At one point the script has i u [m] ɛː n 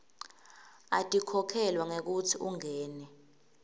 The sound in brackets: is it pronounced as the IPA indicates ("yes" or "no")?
no